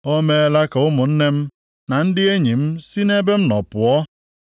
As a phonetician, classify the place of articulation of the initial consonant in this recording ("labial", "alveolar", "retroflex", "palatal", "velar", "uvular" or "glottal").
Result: labial